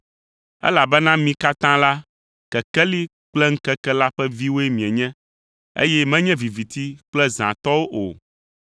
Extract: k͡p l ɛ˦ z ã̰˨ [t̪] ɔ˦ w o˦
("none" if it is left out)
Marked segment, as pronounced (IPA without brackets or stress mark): t̪